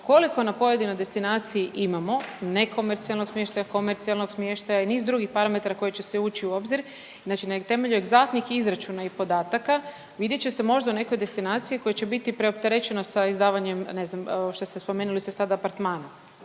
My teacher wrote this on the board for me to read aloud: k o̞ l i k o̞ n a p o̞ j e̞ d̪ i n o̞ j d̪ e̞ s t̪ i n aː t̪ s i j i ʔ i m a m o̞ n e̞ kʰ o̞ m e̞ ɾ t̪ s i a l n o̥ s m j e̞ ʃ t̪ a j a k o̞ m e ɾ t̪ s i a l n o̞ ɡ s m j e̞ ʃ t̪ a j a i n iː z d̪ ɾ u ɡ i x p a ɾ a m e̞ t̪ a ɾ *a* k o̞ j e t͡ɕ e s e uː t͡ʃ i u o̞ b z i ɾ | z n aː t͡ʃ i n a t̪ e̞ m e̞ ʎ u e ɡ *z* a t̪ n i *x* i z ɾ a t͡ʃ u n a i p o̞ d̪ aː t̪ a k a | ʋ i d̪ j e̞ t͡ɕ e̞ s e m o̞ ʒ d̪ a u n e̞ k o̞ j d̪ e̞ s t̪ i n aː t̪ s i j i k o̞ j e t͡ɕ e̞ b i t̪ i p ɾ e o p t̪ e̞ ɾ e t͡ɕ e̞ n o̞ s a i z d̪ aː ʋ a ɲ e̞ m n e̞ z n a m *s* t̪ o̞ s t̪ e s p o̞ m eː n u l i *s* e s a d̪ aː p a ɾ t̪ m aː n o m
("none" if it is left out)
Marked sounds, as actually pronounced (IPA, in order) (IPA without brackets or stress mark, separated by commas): a, z, x, ʃ, s